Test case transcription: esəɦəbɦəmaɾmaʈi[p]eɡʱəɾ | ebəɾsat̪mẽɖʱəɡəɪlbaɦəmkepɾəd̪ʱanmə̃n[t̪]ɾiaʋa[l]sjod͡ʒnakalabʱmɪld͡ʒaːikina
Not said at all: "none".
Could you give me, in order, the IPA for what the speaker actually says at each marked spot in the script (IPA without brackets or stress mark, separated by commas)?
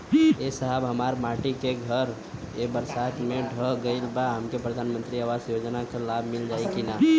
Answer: k, t̪, none